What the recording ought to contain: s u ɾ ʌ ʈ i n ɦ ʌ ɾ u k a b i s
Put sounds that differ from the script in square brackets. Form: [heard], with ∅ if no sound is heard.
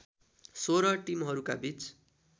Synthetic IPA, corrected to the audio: s [o] ɾ ʌ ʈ i [m] ɦ ʌ ɾ u k a b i [t͡s]